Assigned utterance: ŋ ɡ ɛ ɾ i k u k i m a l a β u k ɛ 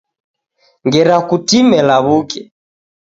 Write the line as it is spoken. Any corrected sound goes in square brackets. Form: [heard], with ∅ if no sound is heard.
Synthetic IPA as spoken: ŋ ɡ ɛ ɾ [a] k u [t] i m [ɛ] l a β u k ɛ